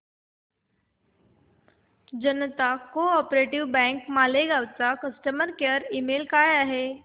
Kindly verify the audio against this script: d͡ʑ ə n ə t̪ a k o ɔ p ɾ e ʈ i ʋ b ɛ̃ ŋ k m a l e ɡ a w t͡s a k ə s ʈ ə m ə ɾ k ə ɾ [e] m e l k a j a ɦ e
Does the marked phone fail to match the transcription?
yes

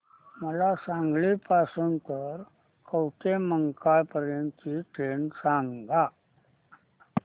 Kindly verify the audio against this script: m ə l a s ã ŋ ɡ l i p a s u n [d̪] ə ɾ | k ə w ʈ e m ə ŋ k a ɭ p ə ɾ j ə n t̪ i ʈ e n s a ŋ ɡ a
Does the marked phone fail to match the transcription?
yes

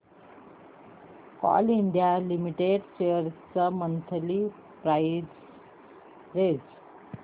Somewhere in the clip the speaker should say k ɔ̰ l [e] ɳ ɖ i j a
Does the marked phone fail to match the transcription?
yes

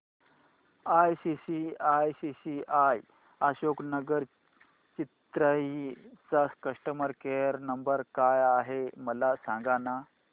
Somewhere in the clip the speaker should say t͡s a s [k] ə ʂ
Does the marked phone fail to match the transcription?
no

